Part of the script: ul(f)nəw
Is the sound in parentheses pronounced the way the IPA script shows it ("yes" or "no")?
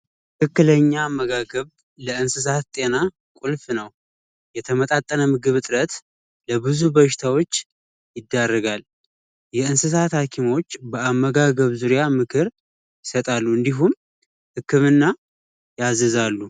yes